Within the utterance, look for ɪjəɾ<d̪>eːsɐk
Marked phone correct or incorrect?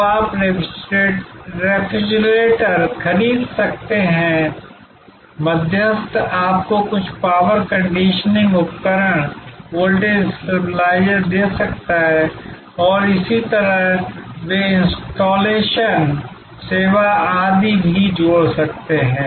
correct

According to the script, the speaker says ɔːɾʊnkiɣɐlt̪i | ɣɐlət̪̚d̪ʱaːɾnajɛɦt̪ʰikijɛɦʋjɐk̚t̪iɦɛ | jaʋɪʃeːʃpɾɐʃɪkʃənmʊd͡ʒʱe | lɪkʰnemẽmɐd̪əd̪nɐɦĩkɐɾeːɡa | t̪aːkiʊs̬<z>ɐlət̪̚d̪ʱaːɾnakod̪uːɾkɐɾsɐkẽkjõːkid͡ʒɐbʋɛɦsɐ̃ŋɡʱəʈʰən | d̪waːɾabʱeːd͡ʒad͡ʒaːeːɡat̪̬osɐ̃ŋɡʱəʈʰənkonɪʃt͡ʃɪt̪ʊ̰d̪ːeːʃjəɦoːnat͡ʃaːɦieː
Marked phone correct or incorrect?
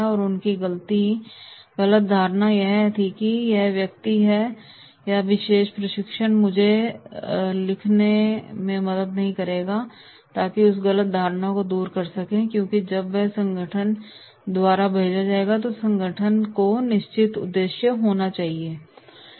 incorrect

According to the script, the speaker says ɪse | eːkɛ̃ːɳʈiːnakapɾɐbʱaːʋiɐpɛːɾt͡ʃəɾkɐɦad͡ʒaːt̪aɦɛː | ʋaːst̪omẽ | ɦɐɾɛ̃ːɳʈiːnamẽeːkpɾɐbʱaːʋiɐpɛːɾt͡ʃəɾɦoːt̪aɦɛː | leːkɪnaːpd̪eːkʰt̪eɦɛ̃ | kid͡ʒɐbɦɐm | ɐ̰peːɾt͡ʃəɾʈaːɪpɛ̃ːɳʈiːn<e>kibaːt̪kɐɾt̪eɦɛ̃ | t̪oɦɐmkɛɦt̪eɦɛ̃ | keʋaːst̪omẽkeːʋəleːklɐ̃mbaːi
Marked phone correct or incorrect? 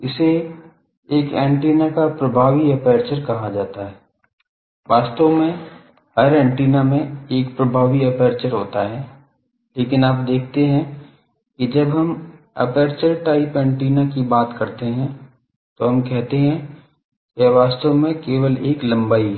incorrect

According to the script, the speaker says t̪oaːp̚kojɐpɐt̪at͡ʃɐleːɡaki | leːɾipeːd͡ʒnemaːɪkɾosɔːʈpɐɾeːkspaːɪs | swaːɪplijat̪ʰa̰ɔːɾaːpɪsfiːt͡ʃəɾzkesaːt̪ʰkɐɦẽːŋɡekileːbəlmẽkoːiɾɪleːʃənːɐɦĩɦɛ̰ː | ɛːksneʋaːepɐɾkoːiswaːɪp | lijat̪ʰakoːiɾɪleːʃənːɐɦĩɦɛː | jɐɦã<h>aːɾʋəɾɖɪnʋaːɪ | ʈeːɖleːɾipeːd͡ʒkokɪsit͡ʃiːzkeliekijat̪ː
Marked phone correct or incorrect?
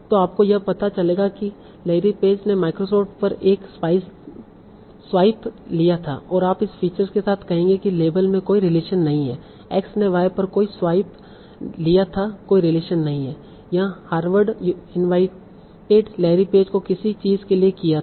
correct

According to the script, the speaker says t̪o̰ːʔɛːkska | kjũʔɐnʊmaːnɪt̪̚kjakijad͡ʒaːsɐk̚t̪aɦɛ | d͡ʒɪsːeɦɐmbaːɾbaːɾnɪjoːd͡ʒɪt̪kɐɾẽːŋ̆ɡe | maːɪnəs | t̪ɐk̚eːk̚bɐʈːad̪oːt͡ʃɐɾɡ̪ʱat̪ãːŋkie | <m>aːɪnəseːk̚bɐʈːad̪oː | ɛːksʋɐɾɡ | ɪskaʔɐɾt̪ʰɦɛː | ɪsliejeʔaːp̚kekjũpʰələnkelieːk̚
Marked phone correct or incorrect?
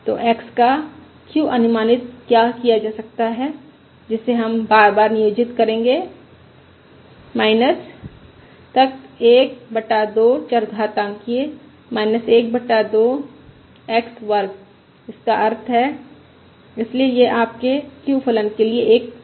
correct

